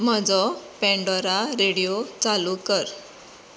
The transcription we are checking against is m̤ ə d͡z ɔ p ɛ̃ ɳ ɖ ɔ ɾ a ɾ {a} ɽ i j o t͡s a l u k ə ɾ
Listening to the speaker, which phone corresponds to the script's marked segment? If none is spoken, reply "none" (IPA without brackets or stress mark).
e